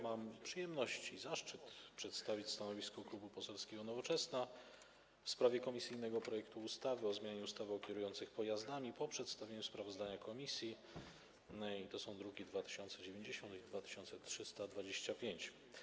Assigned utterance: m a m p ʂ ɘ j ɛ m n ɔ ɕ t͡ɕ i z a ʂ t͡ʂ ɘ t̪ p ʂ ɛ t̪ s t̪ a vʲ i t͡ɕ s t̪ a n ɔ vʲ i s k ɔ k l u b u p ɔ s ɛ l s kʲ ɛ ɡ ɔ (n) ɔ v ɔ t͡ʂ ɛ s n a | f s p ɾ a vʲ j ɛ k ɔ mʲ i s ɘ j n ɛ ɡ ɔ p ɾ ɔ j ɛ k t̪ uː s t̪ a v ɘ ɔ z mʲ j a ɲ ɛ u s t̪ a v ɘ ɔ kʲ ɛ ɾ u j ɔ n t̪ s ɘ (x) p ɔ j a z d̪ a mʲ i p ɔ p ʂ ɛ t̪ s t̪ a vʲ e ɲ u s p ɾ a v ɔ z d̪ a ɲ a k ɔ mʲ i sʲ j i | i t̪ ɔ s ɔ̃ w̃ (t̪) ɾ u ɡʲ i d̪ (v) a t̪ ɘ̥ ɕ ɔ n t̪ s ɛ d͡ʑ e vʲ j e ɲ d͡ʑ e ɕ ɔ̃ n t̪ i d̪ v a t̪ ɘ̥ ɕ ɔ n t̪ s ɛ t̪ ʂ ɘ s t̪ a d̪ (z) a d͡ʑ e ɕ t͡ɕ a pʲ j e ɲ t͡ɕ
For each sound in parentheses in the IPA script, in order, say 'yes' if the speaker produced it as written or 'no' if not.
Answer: yes, yes, no, yes, no

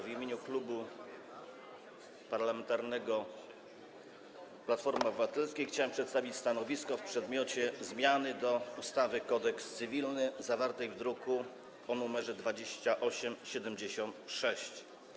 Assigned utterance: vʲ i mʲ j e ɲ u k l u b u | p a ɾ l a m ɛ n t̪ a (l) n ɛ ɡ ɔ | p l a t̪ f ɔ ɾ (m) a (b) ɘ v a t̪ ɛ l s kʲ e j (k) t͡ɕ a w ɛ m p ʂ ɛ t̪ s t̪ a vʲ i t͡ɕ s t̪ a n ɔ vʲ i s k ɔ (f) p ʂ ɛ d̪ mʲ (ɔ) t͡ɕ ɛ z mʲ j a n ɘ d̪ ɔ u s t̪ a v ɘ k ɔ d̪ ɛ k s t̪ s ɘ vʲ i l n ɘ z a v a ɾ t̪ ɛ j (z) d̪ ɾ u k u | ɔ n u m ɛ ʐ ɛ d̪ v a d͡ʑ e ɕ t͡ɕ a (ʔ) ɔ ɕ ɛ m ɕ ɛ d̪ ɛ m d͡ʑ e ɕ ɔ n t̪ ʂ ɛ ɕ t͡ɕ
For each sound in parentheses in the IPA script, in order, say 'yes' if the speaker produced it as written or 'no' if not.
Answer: no, yes, yes, no, yes, yes, no, yes

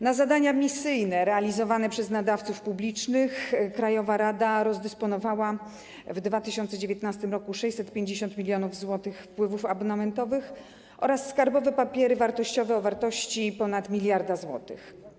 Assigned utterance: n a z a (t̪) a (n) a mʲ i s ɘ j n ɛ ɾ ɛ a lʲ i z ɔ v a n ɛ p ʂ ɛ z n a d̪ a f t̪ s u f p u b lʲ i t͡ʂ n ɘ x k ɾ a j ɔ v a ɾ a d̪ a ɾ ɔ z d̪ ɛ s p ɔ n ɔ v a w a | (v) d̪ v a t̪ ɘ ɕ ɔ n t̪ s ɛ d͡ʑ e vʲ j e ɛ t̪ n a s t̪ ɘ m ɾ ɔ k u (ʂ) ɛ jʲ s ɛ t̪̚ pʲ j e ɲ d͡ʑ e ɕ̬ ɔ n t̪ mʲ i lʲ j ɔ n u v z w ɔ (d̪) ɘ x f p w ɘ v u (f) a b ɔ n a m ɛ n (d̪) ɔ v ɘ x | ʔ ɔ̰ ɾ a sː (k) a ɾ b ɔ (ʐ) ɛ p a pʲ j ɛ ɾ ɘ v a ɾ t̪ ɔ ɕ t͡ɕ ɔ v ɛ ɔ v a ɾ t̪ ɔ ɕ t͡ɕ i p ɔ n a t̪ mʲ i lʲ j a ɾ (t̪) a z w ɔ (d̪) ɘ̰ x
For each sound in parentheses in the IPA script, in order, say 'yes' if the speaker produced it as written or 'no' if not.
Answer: no, no, yes, yes, no, yes, no, yes, no, no, no

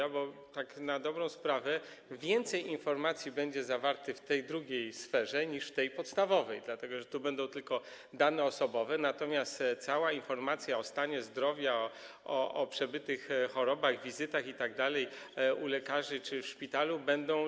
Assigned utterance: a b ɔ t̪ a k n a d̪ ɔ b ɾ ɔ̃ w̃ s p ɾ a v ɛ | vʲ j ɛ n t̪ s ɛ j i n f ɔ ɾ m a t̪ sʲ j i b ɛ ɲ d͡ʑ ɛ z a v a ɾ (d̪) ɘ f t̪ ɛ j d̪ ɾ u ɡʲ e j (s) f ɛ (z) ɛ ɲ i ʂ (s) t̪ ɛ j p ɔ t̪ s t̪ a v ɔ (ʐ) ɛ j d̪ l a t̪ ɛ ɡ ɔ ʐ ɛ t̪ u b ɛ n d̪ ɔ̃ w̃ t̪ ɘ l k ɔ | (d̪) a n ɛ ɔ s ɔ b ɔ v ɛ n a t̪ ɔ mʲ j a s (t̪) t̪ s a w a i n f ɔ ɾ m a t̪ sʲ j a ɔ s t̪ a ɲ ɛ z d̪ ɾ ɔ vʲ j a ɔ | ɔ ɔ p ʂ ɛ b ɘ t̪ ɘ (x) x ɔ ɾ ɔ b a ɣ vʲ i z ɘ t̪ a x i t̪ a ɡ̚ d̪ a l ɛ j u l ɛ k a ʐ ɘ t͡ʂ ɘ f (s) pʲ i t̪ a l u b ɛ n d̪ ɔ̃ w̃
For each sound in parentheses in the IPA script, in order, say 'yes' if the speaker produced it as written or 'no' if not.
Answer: no, yes, no, no, no, yes, yes, yes, no

